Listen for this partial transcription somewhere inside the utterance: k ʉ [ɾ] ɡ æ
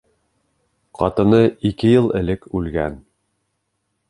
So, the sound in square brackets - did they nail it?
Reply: no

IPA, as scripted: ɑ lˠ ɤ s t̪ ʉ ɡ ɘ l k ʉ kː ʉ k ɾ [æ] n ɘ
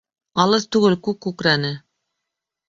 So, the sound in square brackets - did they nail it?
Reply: yes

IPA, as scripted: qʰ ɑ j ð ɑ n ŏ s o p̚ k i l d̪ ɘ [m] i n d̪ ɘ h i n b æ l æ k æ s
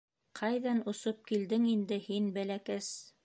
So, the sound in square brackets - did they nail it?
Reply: no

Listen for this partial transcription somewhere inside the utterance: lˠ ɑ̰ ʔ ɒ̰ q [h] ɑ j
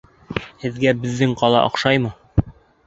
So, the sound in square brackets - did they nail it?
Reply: no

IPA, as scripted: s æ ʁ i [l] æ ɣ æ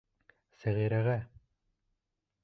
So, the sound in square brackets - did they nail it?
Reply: no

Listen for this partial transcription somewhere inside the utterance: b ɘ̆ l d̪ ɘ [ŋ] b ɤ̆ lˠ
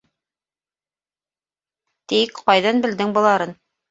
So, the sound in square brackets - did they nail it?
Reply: yes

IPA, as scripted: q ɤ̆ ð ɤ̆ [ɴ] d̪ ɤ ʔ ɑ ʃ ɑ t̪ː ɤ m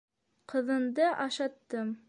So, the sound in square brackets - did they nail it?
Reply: no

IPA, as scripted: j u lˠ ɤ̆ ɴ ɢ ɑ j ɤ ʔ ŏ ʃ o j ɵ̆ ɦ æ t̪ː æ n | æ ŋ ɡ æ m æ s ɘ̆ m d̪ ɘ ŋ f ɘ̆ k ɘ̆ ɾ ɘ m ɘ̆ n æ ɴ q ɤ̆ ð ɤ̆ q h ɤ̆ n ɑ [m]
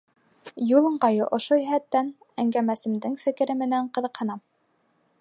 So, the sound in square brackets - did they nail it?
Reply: yes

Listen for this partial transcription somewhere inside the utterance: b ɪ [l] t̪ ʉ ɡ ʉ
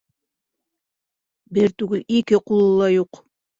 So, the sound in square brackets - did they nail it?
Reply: no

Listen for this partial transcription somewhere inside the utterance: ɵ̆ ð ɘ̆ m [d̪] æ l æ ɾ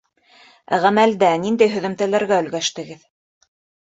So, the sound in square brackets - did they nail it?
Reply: no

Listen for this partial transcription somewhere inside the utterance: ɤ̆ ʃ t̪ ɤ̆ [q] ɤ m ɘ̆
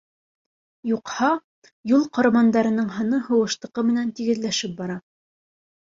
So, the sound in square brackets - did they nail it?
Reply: yes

